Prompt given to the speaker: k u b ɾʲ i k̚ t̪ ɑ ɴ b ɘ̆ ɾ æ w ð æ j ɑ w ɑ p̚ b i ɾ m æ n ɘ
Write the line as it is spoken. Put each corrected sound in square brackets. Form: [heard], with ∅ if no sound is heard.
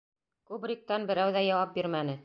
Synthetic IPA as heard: k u b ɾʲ i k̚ t̪ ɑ [n] b ɘ̆ ɾ æ w ð æ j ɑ w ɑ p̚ b i ɾ m æ n ɘ

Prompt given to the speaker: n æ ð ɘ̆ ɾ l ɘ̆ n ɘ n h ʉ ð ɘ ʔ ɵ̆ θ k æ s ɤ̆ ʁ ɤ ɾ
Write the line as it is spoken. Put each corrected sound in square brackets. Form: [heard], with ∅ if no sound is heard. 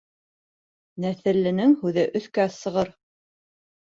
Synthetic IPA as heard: n æ [θ] ɘ̆ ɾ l ɘ̆ n ɘ [ŋ] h ʉ ð ɘ ʔ ɵ̆ θ k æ s ɤ̆ ʁ ɤ ɾ

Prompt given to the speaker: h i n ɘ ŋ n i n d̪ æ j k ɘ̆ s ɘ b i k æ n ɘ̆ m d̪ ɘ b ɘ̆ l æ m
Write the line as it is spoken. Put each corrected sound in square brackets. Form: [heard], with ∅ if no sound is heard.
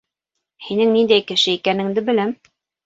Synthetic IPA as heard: h i n ɘ ŋ n i n d̪ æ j k ɘ̆ [ʃ] ɘ [∅] i k æ n ɘ̆ [ŋ] d̪ ɘ b ɘ̆ l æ m

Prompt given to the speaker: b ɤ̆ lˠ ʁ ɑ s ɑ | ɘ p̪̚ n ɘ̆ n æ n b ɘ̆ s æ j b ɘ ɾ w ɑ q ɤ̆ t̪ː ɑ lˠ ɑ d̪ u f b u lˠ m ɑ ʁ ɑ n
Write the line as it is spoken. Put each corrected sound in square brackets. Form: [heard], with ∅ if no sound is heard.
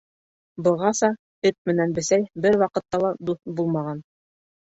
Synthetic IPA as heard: b ɤ̆ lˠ ʁ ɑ s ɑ | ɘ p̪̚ [m] ɘ̆ n æ n b ɘ̆ s æ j b ɘ ɾ w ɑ q ɤ̆ t̪ː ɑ lˠ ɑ d̪ u [θ] b u lˠ m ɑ ʁ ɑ n

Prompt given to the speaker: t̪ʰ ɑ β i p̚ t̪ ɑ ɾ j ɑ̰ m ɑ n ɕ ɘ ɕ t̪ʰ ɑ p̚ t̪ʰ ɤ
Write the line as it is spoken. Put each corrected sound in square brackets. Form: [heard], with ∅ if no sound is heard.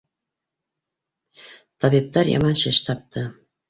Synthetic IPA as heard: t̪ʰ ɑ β i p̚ t̪ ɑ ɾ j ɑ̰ m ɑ n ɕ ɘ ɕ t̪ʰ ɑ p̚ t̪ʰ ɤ

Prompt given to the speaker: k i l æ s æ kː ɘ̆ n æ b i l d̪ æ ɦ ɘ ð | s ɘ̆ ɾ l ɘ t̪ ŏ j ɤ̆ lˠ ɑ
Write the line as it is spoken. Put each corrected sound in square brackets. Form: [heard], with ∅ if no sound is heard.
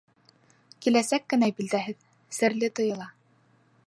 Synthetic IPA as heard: k i l æ s æ kː ɘ̆ n æ b i l d̪ æ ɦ ɘ ð | s ɘ̆ ɾ l ɘ t̪ ŏ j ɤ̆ lˠ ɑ

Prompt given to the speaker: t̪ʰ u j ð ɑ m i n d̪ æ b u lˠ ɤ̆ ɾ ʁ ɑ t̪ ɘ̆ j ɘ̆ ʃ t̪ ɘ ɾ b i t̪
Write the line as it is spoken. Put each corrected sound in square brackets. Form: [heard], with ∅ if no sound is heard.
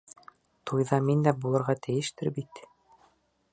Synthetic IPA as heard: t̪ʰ u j ð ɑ m i n d̪ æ b u lˠ ɤ̆ ɾ ʁ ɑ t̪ ɘ̆ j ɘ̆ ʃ t̪ ɘ ɾ b i t̪

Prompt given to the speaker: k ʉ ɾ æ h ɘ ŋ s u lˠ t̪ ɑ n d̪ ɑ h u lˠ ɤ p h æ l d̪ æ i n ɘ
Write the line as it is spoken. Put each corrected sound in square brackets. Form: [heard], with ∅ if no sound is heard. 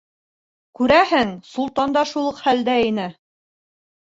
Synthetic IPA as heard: k ʉ ɾ æ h ɘ ŋ s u lˠ t̪ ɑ n d̪ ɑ [ʃ] u lˠ ɤ [q] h æ l d̪ æ i n ɘ

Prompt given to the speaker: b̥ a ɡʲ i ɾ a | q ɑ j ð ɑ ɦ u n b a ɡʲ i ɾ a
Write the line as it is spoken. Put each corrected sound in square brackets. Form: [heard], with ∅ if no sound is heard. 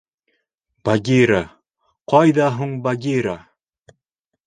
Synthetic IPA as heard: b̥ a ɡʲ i ɾ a | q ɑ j ð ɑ ɦ u [ɴ] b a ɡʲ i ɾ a

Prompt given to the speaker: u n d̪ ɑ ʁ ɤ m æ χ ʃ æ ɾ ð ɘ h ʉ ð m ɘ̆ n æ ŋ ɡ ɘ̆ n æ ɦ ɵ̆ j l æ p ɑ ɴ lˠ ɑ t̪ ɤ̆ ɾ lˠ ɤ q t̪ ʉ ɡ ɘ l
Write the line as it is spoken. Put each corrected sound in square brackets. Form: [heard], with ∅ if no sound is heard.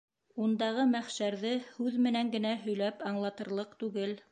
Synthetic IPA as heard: u n d̪ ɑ ʁ ɤ m æ χ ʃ æ ɾ ð ɘ h ʉ ð m ɘ̆ n æ ŋ ɡ ɘ̆ n æ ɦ ɵ̆ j l æ p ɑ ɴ lˠ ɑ t̪ ɤ̆ ɾ lˠ ɤ q t̪ ʉ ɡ ɘ l

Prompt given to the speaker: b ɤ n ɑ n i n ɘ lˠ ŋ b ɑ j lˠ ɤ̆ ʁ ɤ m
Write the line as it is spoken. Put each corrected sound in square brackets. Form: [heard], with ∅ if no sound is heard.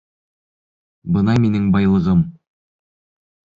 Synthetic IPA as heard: b ɤ n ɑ [m] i n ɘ [∅] ŋ b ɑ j lˠ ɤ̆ ʁ ɤ m

